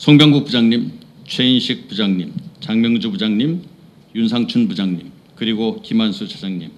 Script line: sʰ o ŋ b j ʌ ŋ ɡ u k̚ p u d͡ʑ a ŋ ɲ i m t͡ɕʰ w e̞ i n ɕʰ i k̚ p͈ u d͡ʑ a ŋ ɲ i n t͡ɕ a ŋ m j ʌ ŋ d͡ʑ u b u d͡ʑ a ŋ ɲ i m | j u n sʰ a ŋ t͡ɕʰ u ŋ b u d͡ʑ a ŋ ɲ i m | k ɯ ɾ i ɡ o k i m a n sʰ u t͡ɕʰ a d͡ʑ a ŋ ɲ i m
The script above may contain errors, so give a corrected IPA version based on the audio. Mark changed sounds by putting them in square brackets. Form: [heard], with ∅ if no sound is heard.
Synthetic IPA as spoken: sʰ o ŋ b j ʌ ŋ ɡ u k̚ p u d͡ʑ a ŋ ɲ i m t͡ɕʰ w e̞ i n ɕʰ i k̚ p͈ u d͡ʑ a ŋ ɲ i [m] t͡ɕ a ŋ m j ʌ ŋ d͡ʑ u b u d͡ʑ a ŋ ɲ i m | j u n sʰ a ŋ t͡ɕʰ u [n] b u d͡ʑ a ŋ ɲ i m | k ɯ ɾ i ɡ o k i m a n sʰ u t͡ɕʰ a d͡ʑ a ŋ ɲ i m